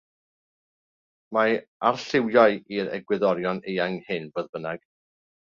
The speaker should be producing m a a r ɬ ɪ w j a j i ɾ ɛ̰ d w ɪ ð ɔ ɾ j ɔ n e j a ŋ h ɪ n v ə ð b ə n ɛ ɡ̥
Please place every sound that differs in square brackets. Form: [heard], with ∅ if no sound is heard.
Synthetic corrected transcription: m a a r ɬ ɪ w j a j i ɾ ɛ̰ [ɡ] w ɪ ð ɔ ɾ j ɔ n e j a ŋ h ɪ n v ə ð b ə n [a] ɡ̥